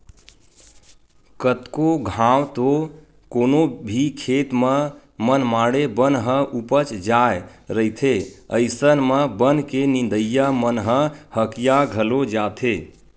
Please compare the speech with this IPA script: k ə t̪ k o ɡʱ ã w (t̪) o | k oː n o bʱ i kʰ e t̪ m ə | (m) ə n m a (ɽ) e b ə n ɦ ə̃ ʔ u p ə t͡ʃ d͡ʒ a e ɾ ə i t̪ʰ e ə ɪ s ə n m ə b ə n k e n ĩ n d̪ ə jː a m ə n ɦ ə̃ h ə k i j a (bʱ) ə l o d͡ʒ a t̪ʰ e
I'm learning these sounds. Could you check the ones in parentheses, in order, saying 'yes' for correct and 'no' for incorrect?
yes, yes, yes, no

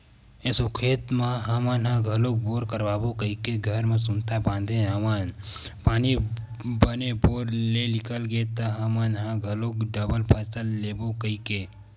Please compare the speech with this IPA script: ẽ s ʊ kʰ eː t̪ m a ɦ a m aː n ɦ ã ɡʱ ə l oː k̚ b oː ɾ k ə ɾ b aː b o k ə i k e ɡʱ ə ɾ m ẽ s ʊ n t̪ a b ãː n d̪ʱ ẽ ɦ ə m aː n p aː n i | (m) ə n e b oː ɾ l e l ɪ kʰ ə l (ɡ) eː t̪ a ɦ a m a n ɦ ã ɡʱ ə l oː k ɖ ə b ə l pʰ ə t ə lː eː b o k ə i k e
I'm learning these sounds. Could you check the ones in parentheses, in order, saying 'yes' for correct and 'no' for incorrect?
no, yes

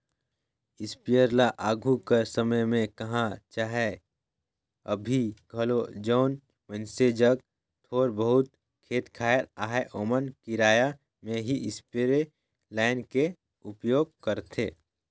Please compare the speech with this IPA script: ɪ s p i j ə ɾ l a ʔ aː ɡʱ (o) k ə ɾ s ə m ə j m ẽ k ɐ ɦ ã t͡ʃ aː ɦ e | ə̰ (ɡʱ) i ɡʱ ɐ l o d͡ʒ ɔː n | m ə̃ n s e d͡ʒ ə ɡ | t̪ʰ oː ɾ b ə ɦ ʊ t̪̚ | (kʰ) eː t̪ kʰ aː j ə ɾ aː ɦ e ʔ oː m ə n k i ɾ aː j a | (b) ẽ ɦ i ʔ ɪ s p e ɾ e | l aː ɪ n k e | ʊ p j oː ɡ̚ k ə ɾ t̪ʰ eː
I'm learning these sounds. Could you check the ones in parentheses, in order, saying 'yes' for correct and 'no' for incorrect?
no, no, yes, no

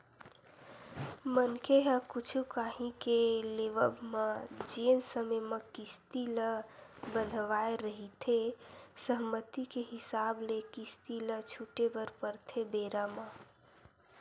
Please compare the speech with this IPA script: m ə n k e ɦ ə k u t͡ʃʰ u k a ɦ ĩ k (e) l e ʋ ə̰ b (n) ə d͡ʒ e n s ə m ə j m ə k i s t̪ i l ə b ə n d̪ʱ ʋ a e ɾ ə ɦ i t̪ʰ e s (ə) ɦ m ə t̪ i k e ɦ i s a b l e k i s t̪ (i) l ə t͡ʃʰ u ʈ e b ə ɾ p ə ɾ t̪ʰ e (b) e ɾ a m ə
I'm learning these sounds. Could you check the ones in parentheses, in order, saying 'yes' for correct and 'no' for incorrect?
yes, no, yes, yes, yes

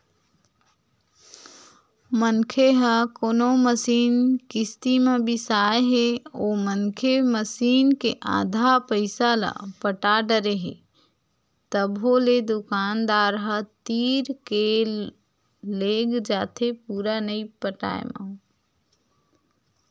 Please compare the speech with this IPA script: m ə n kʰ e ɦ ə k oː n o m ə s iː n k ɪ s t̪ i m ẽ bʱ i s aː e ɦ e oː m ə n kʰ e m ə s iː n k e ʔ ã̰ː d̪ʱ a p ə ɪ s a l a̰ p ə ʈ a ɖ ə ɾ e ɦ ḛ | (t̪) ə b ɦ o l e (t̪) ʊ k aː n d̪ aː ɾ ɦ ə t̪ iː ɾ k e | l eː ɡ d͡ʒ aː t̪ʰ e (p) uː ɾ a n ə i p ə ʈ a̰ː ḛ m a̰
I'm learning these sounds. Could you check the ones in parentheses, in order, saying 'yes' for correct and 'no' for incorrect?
yes, no, yes

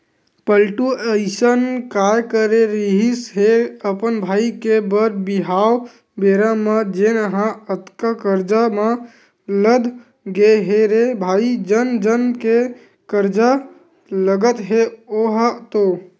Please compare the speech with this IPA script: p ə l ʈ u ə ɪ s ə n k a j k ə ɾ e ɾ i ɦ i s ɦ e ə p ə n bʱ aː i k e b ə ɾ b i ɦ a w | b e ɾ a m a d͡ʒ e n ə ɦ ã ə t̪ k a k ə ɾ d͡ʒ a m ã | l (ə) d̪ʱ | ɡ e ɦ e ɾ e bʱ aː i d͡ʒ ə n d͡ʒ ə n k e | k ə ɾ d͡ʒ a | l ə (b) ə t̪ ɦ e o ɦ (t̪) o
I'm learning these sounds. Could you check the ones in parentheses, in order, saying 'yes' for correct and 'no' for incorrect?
yes, no, yes

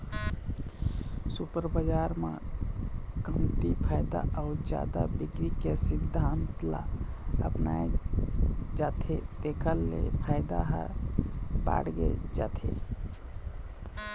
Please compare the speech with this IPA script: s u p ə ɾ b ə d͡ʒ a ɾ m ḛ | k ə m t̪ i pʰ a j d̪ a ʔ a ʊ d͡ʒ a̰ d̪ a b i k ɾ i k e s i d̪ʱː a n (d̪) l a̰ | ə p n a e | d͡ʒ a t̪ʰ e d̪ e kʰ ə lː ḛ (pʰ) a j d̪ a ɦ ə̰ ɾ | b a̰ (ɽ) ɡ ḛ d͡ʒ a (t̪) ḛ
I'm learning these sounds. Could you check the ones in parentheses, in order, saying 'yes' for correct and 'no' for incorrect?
no, yes, yes, no

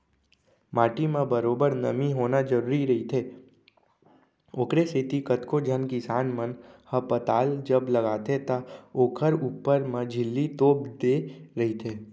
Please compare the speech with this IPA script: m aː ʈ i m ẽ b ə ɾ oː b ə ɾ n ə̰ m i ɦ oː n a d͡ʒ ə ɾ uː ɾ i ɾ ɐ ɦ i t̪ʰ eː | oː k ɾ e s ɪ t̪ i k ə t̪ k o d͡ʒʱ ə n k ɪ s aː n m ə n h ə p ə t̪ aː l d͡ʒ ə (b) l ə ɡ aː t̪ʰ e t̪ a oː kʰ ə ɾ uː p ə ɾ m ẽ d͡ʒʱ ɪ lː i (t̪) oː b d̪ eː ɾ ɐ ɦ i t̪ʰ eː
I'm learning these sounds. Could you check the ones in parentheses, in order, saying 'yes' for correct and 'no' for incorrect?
yes, yes

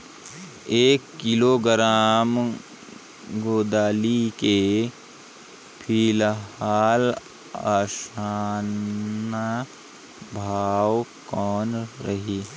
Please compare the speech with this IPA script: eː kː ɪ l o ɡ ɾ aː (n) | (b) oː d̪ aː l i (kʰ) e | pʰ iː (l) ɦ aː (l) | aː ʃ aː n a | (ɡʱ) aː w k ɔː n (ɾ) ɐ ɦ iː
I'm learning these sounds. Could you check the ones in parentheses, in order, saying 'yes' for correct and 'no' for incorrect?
no, no, no, yes, yes, no, yes

